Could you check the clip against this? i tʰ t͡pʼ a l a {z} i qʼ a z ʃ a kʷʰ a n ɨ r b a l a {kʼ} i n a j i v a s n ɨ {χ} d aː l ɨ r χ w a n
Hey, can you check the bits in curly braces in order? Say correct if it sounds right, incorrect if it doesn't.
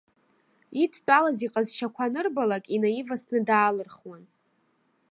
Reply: correct, correct, incorrect

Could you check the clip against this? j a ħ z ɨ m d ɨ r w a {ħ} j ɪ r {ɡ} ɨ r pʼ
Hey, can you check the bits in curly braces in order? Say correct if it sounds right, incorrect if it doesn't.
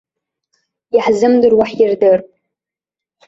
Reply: correct, incorrect

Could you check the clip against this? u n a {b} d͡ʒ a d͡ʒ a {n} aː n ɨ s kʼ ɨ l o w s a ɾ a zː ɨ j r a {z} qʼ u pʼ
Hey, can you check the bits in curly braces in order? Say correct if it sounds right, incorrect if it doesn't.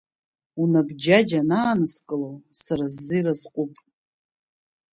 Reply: correct, correct, correct

